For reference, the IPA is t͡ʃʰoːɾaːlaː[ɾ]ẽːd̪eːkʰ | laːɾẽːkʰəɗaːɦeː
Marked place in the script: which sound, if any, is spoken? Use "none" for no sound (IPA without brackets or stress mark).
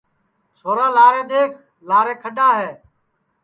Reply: ɾ